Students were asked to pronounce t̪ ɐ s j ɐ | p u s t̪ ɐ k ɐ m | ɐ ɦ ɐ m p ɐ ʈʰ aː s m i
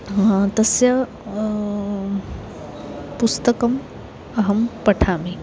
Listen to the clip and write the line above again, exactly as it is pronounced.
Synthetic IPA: t̪ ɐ s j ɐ | p u s t̪ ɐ k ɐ m | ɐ ɦ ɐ m p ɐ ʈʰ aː m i